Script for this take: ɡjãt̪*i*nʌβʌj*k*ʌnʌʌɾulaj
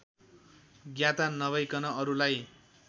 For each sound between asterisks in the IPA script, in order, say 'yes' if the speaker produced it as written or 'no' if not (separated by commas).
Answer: no, yes